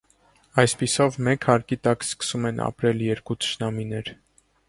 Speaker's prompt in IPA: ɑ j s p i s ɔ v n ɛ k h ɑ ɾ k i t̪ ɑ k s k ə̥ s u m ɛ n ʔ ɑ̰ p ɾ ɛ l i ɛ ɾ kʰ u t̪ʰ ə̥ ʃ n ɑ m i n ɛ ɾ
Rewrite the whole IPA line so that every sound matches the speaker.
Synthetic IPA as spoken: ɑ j s p i s ɔ v m ɛ k h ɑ ɾ k i t̪ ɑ k s k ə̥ s u m ɛ n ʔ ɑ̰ p ɾ ɛ l j ɛ ɾ k u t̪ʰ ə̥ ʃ n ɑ m i n ɛ ɾ